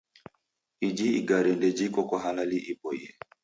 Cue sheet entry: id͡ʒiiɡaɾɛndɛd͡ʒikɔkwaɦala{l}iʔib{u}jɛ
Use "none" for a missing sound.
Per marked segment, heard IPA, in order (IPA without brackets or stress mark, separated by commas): l, ɔ